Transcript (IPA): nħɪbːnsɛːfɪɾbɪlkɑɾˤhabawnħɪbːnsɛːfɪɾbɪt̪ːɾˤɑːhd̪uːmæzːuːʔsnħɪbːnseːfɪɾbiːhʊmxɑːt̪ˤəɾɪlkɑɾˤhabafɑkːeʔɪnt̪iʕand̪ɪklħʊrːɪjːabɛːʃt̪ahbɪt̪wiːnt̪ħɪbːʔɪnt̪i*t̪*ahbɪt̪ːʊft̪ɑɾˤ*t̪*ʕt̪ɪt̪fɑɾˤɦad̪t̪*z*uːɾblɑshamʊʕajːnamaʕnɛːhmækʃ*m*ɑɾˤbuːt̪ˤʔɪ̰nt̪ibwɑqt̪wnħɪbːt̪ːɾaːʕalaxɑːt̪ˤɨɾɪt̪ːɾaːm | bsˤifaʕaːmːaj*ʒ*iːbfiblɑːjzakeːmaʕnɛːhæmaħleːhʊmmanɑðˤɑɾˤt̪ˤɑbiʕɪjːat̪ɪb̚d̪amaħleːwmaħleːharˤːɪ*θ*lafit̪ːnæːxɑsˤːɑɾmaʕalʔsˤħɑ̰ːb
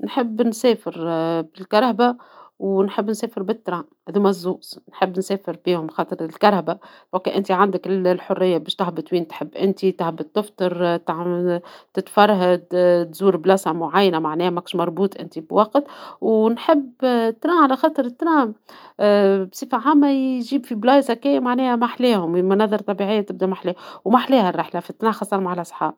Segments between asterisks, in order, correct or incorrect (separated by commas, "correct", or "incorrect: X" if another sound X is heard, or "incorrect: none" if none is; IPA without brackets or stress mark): correct, correct, correct, correct, correct, incorrect: ħ